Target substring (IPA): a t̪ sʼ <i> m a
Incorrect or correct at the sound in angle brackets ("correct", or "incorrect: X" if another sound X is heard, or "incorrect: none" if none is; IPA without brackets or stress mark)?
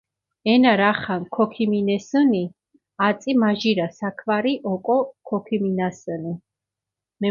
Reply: correct